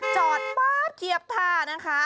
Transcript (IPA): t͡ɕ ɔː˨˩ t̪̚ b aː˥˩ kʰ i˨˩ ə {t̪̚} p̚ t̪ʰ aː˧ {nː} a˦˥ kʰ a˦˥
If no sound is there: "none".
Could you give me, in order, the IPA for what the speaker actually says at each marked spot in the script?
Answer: none, n

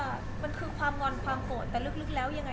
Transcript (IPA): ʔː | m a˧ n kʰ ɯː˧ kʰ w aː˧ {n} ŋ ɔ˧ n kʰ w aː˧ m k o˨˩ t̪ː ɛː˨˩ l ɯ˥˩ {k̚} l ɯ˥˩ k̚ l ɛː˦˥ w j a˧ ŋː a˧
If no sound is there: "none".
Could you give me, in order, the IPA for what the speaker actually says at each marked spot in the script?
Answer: m, k̚

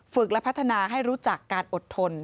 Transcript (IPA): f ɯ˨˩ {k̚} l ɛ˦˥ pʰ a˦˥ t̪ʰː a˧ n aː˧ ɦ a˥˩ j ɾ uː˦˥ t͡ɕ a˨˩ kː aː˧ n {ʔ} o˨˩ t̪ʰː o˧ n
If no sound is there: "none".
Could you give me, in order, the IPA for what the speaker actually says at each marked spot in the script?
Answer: k̚, ʔ

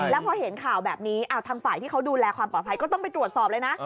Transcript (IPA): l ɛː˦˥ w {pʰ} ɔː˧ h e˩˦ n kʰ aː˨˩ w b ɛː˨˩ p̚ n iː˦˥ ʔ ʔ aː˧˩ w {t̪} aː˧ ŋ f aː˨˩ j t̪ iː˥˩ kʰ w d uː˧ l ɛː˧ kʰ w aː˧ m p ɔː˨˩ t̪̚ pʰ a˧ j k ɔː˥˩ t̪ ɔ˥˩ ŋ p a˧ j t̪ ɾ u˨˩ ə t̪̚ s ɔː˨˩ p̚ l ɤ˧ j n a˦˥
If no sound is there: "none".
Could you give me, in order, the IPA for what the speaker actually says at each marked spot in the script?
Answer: pʰ, t̪ʰ

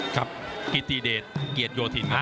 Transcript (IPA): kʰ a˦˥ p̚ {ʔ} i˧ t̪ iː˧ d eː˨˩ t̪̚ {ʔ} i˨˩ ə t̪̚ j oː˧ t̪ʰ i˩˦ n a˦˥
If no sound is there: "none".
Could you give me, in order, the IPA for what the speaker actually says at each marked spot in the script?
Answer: k, k

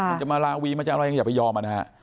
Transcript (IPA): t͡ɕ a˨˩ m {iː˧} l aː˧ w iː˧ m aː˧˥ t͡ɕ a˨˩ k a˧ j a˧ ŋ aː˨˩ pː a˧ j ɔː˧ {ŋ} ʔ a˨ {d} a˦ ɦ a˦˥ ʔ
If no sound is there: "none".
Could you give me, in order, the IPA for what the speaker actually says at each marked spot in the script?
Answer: aː˧, m, n

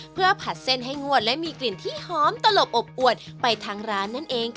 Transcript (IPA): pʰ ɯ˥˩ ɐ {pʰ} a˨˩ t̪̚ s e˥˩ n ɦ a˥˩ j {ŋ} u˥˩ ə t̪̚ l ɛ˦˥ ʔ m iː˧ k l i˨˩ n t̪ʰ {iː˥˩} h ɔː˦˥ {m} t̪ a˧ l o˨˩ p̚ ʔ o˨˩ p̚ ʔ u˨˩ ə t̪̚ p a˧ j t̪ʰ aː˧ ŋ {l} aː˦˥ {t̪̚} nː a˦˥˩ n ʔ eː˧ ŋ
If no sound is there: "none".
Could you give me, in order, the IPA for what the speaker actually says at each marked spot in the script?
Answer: pʰ, ŋ, iː˥˩, m, ɾ, none

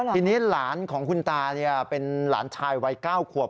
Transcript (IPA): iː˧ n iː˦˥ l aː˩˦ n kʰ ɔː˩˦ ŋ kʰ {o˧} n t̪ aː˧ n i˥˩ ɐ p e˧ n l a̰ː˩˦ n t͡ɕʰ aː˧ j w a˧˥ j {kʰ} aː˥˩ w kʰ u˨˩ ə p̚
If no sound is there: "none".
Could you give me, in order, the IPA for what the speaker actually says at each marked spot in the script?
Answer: u˧, k

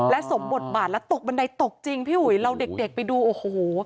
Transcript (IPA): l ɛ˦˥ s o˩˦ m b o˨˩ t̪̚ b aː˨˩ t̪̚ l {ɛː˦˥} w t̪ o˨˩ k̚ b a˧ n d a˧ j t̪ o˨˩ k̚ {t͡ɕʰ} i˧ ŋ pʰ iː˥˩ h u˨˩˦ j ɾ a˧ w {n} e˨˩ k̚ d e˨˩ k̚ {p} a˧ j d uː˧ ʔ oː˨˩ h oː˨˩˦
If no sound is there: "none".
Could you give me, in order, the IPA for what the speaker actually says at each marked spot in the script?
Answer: ɛ˦˥, t͡ɕ, d, p

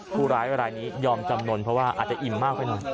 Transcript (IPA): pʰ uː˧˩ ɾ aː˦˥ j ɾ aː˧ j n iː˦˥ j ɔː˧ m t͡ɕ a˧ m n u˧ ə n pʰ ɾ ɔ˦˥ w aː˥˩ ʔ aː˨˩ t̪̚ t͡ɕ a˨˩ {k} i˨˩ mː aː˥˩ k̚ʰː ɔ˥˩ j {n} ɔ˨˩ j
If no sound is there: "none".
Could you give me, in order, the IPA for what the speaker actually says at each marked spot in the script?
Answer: ʔ, n

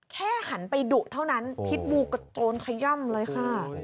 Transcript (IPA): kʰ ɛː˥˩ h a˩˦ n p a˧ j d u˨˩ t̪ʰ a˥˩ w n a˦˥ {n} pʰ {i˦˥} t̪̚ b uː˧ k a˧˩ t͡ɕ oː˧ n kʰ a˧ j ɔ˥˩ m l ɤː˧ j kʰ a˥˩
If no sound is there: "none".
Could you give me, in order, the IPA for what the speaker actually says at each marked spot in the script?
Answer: n, i˦˥

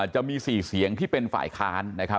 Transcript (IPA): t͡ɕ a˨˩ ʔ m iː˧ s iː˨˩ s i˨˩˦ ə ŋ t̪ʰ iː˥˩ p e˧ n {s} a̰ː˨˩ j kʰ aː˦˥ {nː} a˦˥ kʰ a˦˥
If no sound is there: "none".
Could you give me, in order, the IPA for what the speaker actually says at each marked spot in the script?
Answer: f, nː

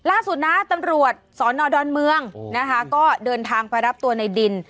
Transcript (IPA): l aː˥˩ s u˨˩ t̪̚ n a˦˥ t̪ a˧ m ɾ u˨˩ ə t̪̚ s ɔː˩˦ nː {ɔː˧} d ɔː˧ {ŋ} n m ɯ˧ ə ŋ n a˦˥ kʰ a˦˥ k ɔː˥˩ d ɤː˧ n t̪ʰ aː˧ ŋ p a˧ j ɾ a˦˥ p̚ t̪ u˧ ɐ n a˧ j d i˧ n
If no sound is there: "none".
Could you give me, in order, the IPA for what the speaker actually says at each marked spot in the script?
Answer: ɔː˧, none

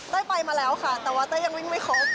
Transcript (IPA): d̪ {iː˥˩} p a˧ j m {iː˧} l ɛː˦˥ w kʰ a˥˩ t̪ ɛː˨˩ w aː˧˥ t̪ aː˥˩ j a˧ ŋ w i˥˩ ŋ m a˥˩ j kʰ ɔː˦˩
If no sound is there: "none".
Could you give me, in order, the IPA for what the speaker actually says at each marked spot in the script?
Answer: aː˥˩, aː˧

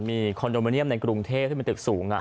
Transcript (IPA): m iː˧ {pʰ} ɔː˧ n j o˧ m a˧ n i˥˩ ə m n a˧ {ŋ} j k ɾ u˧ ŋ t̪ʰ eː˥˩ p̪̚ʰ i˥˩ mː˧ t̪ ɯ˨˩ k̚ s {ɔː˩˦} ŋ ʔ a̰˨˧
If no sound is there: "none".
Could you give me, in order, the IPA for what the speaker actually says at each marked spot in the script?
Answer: kʰ, none, uː˩˦

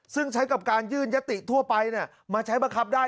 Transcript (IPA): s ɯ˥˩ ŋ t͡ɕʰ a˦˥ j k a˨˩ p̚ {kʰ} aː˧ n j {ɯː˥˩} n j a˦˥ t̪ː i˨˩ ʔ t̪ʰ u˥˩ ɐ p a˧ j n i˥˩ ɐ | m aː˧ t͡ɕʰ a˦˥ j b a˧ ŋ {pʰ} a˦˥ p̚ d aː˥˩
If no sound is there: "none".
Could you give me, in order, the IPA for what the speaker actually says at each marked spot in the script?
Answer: k, ɯː˥˩, kʰ

